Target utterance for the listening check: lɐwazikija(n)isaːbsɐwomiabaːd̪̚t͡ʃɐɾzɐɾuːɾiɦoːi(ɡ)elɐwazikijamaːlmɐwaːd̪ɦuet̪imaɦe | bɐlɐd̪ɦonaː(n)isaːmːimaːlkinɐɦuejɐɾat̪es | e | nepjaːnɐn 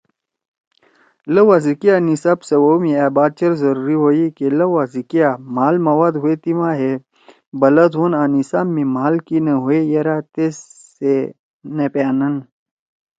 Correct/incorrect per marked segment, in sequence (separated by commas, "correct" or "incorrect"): correct, incorrect, correct